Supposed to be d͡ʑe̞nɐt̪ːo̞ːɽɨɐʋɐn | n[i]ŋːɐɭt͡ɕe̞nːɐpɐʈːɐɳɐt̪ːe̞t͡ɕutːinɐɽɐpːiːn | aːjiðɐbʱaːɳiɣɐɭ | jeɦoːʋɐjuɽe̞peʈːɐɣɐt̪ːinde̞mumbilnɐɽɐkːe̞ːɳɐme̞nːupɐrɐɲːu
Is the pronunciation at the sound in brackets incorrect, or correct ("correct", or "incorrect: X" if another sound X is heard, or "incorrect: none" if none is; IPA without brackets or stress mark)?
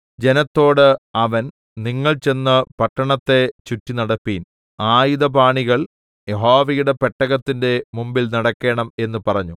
correct